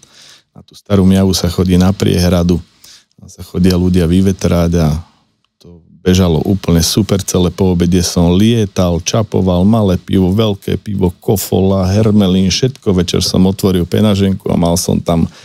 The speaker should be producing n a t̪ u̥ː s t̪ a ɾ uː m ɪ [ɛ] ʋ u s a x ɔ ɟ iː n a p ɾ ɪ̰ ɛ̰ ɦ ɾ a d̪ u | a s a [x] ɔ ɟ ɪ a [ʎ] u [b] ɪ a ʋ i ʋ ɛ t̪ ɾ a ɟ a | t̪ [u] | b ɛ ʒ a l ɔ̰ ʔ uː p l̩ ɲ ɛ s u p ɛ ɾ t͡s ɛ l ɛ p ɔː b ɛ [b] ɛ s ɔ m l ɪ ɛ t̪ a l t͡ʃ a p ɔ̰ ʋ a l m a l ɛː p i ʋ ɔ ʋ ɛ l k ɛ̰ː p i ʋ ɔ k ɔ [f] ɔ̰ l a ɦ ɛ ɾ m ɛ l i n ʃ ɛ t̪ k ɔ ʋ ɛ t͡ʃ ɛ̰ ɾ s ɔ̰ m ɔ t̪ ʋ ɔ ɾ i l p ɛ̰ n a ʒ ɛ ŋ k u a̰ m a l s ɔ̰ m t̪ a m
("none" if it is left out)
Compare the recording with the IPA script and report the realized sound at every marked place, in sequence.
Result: a, x, l, ɟ, ɔ, ɟ, f

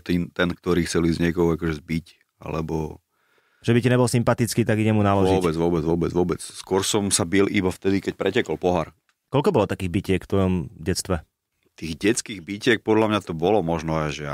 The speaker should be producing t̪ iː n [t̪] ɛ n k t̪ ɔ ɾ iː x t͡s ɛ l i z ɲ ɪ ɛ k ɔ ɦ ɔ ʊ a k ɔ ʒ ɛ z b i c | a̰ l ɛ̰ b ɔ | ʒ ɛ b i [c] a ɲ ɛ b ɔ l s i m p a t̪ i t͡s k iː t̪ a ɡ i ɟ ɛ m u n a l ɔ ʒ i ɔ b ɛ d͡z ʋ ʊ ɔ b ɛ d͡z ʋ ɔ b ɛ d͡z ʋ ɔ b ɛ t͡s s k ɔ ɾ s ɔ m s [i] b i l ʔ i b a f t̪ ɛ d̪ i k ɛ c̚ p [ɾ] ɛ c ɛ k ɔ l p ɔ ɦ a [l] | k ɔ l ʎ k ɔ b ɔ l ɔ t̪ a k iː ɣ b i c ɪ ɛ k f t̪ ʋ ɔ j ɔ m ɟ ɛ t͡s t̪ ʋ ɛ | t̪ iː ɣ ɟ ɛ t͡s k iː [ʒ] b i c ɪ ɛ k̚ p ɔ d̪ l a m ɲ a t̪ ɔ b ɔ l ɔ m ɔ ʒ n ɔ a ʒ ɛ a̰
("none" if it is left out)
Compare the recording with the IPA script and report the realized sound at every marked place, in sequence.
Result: t̪, c, a, ɾ, ɾ, ɣ

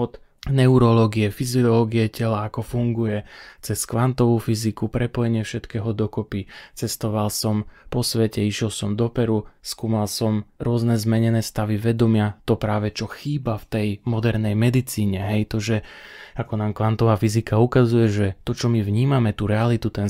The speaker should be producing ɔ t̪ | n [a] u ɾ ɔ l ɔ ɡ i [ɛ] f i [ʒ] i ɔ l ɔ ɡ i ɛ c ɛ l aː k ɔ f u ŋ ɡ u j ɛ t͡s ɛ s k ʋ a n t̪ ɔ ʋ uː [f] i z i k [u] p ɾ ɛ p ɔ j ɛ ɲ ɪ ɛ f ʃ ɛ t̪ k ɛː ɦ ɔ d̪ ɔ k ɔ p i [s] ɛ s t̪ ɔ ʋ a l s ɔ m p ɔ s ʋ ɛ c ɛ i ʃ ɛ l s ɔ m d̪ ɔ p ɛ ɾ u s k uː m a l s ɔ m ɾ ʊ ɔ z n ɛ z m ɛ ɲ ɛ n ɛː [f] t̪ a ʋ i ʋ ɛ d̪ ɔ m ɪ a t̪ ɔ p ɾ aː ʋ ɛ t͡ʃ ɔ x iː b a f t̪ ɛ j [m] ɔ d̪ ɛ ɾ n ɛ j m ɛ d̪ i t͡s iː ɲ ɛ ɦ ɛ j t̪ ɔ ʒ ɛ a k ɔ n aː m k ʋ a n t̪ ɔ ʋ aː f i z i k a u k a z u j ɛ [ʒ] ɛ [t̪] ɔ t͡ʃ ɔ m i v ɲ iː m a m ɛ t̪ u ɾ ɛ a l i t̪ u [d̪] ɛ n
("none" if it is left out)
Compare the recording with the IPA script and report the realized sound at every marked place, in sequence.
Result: ɛ, ɛ, z, f, u, t͡s, s, m, ʒ, t̪, t̪

